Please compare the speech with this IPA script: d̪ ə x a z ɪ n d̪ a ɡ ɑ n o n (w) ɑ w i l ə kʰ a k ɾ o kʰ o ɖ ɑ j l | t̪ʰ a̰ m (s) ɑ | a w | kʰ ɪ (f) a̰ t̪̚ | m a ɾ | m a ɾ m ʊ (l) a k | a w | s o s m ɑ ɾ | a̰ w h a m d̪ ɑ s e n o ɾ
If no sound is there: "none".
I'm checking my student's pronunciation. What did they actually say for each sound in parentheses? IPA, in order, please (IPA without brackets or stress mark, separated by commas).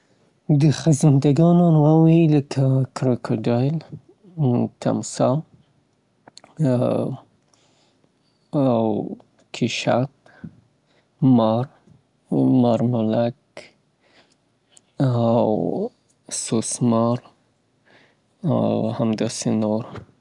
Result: w, s, ʃ, l